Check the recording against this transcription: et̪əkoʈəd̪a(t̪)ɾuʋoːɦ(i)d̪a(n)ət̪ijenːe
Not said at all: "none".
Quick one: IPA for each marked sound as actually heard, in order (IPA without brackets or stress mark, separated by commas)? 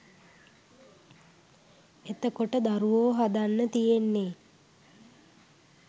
none, a, nː